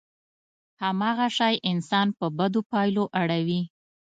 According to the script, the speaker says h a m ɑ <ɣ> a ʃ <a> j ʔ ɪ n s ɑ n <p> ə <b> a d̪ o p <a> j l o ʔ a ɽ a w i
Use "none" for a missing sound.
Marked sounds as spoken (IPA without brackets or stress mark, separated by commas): ɣ, ɑ, p, b, ɑ